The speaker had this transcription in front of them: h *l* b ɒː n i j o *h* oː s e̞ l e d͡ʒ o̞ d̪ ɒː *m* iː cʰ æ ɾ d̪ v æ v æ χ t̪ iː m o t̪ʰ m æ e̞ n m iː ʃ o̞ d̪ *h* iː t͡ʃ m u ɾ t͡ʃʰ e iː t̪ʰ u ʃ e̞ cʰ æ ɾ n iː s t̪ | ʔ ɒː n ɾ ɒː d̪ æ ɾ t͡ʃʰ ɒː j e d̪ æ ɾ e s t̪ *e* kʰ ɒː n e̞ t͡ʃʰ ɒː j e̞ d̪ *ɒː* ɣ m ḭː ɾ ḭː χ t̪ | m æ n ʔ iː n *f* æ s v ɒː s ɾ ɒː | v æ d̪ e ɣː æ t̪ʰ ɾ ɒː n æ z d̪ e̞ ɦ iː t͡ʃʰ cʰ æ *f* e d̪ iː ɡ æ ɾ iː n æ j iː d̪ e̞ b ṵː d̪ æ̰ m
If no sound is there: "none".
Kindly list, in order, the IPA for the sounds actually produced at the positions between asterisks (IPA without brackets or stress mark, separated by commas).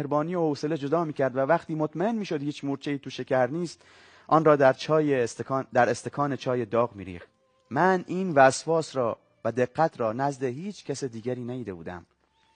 ɾ, h, m, h, e, ɒː, v, s